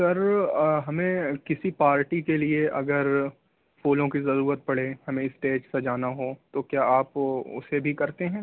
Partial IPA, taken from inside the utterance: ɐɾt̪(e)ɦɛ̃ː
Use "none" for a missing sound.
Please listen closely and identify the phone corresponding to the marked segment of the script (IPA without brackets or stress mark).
e